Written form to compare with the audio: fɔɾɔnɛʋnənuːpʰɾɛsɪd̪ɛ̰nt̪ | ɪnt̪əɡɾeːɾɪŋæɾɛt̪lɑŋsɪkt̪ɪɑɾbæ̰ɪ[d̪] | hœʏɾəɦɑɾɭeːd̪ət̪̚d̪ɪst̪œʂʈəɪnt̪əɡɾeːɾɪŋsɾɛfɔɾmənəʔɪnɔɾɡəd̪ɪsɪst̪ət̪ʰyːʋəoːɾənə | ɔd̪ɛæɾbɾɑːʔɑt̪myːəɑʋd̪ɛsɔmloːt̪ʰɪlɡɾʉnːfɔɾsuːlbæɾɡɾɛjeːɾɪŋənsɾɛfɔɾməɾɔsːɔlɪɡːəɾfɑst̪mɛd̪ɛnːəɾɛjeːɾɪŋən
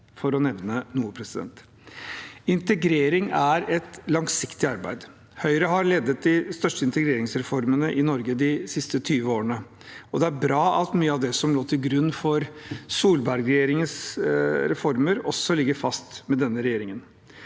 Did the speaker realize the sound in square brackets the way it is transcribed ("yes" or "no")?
yes